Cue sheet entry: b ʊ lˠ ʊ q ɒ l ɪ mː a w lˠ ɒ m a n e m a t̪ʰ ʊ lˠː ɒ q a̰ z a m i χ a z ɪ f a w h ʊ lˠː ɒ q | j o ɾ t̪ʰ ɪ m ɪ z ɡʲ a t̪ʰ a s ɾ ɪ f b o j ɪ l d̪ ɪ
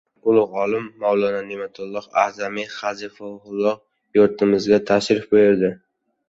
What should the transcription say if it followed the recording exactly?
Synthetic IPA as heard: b ʊ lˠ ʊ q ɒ l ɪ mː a w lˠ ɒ n a n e m a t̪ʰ ʊ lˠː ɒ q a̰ z a m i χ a z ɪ f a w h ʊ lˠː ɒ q | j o ɾ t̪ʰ ɪ m ɪ z ɡʲ a t̪ʰ a ʃ ɾ ɪ f b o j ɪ ɾ d̪ ɪ